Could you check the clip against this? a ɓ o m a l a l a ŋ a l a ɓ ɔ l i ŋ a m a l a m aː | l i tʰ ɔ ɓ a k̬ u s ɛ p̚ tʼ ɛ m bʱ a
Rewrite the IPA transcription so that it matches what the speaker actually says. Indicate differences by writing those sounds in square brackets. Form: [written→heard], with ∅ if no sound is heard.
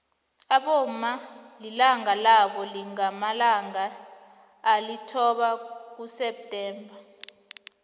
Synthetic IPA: a ɓ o m a l [a→i] l a ŋ a l a ɓ ɔ l i ŋ a m a l a [m→ŋ] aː | l i tʰ ɔ ɓ a k̬ u s ɛ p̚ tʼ [ɛ→ɛː] m bʱ a